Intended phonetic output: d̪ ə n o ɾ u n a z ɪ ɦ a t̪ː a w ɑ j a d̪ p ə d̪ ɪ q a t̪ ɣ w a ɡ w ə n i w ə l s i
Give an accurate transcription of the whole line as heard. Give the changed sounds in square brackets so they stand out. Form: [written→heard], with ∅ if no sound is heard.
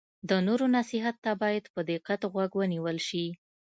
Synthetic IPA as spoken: d̪ ə n o ɾ [u→o] n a [z→s] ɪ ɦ a t̪ː a [w→b] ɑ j a d̪ p ə d̪ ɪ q a t̪ ɣ w a ɡ w ə n i w ə l [s→ʃ] i